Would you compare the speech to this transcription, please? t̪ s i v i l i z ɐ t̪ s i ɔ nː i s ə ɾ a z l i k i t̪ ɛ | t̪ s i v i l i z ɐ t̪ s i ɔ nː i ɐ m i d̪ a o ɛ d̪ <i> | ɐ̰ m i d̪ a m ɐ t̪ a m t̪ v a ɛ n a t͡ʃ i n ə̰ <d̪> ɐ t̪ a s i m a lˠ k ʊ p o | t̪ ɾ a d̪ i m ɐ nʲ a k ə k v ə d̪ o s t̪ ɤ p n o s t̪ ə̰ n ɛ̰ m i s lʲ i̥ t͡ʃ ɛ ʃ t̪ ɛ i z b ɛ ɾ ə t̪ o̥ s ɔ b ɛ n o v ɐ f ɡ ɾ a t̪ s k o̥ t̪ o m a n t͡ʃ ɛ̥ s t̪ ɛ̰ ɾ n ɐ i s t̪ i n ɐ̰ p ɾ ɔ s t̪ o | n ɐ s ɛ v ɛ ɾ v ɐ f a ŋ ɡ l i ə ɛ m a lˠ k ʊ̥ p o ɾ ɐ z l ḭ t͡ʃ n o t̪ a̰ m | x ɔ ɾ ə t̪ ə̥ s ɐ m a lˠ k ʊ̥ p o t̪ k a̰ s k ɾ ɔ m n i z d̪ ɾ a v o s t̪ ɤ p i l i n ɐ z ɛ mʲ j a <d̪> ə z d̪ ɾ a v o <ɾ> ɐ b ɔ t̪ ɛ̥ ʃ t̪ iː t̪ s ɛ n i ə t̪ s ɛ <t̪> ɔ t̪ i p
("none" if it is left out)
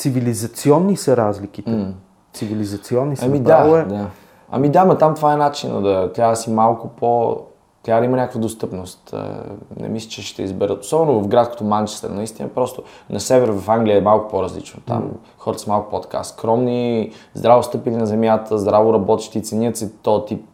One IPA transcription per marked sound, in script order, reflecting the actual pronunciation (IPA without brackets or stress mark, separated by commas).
a, d̪, t̪, ɾ, t̪